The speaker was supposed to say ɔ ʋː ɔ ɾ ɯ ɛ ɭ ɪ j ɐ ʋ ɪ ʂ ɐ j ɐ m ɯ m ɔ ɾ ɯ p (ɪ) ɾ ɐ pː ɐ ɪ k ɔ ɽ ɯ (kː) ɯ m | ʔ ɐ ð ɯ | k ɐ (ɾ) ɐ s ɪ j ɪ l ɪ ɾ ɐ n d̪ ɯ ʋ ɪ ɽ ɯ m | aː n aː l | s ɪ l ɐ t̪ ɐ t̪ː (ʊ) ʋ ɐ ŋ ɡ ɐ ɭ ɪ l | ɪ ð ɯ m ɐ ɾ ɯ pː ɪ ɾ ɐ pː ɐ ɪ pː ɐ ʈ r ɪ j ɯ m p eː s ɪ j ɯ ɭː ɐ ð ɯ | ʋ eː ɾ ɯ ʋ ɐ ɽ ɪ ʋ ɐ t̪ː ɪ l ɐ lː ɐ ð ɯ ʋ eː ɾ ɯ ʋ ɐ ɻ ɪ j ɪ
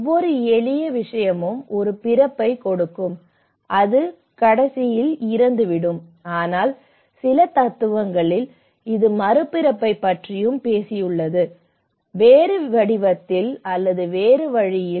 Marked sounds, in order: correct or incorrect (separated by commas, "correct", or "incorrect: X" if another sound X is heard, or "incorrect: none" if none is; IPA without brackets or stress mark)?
correct, correct, incorrect: ɽ, incorrect: ɯ